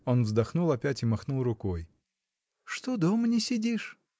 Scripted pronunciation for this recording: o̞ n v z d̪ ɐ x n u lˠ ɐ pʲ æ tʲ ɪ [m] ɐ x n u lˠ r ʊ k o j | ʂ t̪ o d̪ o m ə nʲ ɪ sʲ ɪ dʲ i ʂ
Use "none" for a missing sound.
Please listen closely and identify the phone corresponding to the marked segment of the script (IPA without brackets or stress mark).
m